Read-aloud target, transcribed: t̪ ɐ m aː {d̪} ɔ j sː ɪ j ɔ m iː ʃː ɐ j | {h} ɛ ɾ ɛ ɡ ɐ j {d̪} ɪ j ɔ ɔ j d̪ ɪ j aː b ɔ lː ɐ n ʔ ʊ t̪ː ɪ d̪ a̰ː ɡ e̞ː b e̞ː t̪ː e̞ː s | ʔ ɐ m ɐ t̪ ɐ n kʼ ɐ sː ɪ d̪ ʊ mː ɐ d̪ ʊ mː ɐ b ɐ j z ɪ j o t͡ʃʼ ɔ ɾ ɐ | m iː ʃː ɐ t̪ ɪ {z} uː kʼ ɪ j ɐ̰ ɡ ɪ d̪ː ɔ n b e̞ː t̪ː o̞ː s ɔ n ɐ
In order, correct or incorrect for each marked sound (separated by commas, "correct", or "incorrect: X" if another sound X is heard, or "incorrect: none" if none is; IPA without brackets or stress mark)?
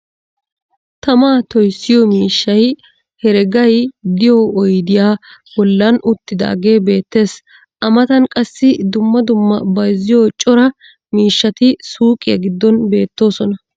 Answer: incorrect: t̪, correct, correct, incorrect: s